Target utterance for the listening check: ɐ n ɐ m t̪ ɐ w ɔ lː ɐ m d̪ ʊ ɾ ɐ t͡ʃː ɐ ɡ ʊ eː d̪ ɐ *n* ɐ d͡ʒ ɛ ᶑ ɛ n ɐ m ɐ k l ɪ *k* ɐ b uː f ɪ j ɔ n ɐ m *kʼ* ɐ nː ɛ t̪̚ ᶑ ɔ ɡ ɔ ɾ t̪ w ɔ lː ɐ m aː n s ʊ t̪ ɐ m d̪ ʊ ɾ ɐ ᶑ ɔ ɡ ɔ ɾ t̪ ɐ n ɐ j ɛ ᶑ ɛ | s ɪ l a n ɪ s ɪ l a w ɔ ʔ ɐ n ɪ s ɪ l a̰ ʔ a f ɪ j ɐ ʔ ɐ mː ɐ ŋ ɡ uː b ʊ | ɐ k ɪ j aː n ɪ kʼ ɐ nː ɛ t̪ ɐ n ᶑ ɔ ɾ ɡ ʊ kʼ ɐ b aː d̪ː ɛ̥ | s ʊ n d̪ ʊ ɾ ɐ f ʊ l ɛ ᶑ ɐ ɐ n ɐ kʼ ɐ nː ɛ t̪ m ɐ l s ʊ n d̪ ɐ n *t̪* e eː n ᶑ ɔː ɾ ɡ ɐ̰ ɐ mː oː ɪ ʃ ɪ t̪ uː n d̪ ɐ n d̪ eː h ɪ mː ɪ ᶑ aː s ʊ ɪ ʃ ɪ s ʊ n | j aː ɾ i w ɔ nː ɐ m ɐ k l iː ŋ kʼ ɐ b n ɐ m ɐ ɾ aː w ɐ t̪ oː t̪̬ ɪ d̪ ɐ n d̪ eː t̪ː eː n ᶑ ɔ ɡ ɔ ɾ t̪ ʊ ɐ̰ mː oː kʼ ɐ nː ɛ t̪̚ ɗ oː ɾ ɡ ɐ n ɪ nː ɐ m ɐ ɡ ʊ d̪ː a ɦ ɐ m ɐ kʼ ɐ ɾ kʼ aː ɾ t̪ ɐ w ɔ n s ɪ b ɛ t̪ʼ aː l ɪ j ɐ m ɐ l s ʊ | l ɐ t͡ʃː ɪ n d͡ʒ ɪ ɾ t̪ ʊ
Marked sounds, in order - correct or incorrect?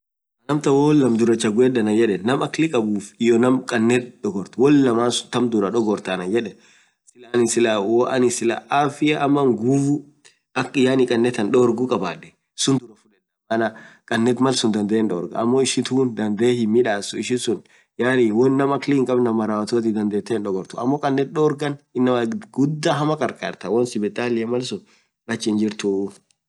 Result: correct, incorrect: kʼ, correct, incorrect: d̪

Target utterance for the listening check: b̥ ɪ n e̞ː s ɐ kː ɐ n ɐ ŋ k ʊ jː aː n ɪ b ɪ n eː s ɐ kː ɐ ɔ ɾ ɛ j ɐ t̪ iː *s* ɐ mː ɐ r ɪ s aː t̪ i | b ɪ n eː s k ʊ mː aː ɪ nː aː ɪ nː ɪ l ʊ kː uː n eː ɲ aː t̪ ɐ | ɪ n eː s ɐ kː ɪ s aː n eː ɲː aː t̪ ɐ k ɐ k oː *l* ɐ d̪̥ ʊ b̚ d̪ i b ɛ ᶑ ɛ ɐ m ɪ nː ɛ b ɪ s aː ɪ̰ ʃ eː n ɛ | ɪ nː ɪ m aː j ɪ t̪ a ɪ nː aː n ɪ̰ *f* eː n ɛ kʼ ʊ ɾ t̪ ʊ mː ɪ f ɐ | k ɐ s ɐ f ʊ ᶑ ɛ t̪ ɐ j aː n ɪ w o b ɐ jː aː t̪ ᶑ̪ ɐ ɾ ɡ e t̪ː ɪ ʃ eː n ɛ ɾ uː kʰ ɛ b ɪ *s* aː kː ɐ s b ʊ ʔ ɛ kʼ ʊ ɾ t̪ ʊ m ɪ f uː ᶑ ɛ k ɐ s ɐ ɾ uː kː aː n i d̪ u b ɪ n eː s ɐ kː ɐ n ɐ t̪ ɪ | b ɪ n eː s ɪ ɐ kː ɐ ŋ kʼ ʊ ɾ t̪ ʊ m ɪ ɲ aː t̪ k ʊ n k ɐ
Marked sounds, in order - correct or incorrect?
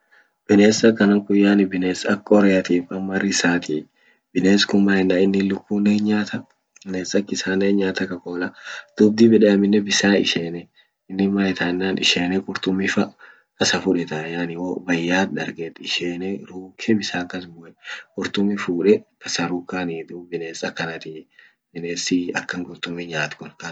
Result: incorrect: f, correct, incorrect: ʃ, correct

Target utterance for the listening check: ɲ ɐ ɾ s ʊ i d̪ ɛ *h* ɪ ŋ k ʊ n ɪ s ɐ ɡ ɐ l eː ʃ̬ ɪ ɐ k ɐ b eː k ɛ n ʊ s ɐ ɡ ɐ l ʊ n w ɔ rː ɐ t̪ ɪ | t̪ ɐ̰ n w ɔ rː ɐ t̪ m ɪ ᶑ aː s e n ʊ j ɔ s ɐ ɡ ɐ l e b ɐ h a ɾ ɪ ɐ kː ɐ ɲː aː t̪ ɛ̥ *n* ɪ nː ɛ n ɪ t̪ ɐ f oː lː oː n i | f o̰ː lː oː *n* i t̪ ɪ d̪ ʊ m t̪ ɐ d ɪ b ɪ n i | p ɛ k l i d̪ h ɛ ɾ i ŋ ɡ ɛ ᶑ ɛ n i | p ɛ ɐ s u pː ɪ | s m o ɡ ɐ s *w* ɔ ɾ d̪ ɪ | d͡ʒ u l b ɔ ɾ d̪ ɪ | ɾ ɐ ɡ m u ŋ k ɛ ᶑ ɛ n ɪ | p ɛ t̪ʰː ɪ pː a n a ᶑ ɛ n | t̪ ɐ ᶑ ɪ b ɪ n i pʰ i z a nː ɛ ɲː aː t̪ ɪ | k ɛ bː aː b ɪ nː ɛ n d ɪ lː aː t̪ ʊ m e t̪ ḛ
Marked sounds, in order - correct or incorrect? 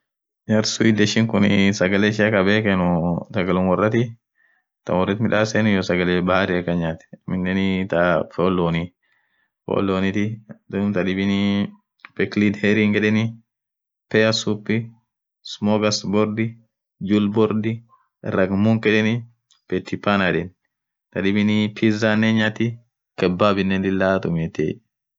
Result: incorrect: ʃ, incorrect: m, correct, incorrect: b

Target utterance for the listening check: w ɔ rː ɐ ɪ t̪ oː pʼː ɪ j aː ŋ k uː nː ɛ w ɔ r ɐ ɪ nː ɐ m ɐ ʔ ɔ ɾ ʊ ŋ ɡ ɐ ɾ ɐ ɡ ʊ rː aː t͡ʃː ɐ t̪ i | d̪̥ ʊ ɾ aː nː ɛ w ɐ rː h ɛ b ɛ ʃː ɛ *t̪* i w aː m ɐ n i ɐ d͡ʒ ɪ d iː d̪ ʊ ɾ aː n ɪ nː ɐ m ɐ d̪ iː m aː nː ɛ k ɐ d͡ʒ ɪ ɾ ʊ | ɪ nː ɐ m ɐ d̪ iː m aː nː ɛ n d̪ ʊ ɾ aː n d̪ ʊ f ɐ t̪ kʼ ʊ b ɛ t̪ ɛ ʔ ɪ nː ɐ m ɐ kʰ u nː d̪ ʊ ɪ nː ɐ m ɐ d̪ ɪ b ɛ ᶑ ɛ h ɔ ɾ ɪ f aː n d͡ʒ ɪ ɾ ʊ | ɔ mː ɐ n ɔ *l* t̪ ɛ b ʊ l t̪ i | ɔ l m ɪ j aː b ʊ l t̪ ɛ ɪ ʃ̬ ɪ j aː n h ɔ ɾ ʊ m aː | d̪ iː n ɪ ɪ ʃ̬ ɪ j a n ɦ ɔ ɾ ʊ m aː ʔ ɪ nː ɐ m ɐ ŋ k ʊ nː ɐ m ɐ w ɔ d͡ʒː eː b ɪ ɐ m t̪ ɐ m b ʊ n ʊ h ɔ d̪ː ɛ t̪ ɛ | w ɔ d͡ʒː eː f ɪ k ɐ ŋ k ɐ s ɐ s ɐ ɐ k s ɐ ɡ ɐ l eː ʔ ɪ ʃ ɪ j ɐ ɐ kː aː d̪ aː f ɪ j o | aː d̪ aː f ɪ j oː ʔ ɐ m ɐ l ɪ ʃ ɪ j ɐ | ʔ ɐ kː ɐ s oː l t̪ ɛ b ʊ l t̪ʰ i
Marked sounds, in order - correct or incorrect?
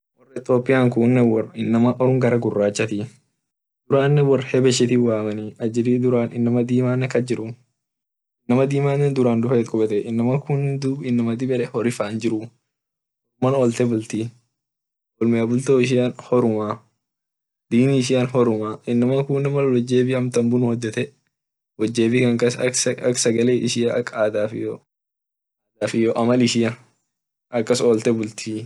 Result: correct, correct

